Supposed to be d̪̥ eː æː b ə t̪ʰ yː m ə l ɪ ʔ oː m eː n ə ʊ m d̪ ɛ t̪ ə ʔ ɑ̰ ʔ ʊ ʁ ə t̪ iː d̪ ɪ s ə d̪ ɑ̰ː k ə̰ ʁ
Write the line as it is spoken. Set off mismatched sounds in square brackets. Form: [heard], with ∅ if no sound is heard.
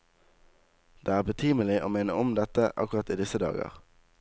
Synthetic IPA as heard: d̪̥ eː æː b ə t̪ʰ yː m ə l ɪ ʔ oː m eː n ə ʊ m d̪ ɛ t̪ ə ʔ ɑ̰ [k] ʊ ʁ [ɑ] t̪ iː d̪ ɪ s ə d̪ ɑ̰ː [ɡ] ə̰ ʁ